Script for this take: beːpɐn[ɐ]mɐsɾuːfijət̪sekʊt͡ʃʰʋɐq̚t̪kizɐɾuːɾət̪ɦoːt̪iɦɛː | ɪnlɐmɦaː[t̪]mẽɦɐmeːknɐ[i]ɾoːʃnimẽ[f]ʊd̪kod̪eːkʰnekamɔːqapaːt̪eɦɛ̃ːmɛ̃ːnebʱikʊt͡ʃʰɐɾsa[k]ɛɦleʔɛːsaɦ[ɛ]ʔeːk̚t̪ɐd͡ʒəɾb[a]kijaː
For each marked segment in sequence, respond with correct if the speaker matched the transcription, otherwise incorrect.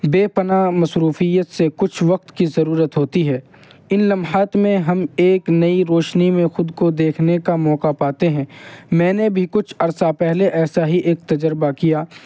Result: incorrect: a, correct, correct, incorrect: x, incorrect: p, incorrect: i, correct

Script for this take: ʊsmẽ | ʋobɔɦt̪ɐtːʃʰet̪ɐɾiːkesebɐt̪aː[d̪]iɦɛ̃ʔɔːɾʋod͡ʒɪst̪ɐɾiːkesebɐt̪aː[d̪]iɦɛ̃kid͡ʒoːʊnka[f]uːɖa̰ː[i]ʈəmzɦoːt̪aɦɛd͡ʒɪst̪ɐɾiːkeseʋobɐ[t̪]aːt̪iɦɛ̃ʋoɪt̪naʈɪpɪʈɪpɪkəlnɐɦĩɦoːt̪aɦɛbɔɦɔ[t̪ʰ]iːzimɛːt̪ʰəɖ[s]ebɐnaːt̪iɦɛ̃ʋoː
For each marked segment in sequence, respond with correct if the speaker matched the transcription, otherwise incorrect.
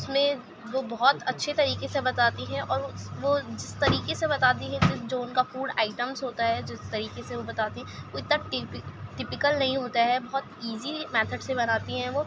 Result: incorrect: t̪, incorrect: t̪, correct, incorrect: ɪ, correct, incorrect: t̪, correct

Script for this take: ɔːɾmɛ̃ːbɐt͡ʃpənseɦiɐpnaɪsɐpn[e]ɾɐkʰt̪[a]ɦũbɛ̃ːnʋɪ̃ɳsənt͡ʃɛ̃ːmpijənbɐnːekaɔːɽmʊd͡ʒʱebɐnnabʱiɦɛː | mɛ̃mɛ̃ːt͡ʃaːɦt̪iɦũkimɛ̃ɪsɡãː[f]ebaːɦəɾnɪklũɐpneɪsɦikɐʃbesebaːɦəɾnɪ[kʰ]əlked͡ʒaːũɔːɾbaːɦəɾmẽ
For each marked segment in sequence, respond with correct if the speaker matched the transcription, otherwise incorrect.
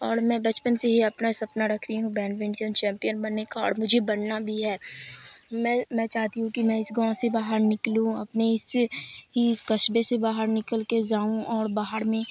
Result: incorrect: a, incorrect: i, incorrect: s, incorrect: k

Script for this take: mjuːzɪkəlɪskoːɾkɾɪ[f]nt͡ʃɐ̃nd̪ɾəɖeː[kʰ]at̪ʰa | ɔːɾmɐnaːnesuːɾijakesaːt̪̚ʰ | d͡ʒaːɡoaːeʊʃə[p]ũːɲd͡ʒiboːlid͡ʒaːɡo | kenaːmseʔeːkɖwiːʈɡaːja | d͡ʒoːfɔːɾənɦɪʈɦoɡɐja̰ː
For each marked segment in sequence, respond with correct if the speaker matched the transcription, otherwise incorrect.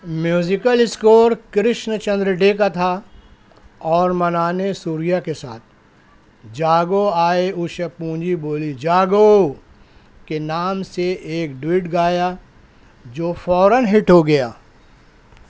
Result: incorrect: ʃ, incorrect: k, correct

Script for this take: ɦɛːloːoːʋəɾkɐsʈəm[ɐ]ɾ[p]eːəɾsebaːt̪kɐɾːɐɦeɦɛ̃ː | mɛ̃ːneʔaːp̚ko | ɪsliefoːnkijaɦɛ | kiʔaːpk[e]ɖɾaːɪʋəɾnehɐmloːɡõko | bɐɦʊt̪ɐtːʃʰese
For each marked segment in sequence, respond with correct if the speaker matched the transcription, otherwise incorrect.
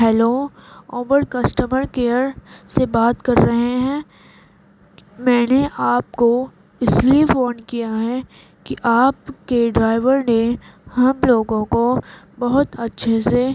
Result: incorrect: ə, incorrect: k, correct

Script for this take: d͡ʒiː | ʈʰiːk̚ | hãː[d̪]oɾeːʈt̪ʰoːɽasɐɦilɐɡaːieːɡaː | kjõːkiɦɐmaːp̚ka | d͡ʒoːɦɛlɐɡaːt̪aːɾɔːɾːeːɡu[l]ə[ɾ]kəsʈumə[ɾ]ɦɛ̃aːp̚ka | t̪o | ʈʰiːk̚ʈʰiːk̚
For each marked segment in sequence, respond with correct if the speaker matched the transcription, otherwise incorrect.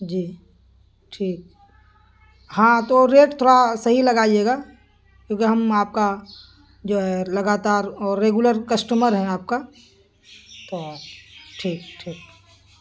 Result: incorrect: t̪, correct, correct, correct

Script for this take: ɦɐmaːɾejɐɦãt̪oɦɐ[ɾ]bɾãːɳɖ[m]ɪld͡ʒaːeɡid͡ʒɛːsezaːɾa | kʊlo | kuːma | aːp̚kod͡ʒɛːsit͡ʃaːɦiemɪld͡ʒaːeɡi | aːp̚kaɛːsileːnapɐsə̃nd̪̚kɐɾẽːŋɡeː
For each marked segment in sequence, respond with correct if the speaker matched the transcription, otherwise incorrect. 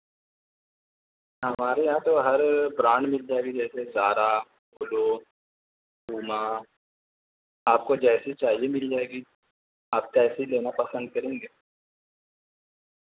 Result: correct, correct

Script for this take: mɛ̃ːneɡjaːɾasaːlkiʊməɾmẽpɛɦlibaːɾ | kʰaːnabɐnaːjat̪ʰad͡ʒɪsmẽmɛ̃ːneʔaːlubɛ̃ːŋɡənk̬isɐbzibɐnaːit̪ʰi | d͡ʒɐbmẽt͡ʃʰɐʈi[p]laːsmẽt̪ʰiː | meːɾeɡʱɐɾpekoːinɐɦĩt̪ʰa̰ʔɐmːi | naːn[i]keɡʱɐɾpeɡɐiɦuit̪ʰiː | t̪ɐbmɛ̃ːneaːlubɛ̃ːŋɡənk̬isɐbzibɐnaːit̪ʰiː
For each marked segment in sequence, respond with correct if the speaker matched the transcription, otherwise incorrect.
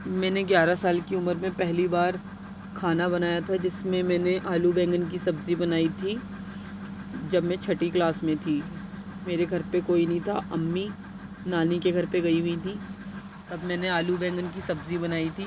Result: incorrect: k, correct

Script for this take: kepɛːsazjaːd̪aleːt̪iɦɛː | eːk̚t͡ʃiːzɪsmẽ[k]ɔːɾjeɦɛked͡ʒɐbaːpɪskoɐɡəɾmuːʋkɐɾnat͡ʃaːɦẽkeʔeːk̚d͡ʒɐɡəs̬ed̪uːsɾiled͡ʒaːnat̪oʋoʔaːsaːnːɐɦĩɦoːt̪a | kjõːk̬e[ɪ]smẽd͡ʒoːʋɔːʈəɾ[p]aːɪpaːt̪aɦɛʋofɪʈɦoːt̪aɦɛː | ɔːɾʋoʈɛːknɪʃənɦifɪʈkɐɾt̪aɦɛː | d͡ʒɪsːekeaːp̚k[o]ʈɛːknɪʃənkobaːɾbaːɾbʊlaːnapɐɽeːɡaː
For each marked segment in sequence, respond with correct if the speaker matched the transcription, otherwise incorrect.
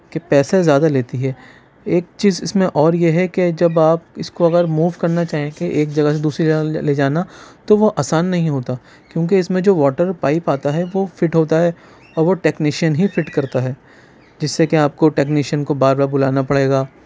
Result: incorrect: ʔ, correct, correct, correct

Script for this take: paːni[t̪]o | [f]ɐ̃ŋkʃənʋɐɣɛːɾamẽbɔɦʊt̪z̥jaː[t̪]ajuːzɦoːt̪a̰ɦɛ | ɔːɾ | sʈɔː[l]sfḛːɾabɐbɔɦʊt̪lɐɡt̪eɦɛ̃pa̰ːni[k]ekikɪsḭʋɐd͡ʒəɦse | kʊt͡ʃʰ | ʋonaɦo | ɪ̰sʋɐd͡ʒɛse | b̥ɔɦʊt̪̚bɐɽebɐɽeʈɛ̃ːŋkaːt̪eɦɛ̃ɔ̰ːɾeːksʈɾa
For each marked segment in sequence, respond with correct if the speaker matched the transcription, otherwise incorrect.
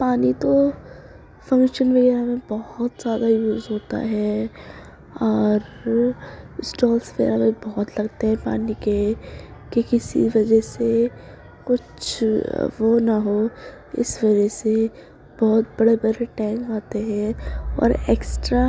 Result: correct, correct, incorrect: d̪, correct, correct

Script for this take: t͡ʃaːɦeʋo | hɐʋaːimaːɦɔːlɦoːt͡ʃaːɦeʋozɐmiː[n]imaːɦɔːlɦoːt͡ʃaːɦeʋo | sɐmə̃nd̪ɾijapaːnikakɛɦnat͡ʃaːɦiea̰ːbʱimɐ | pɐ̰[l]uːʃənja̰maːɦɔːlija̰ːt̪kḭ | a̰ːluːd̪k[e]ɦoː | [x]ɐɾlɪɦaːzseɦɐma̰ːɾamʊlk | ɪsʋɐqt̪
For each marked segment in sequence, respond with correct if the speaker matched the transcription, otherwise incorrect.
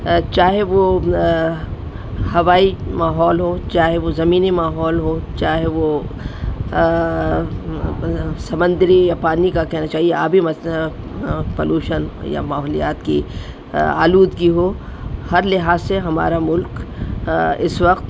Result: correct, correct, incorrect: i, incorrect: h

